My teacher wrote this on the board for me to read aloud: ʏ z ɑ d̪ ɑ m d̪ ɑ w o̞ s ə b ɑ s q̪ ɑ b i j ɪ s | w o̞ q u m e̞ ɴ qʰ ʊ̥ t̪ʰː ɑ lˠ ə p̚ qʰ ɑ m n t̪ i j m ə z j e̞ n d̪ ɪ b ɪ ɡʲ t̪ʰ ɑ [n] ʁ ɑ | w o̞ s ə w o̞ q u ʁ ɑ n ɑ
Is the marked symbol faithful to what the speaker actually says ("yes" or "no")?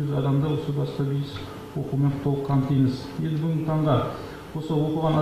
no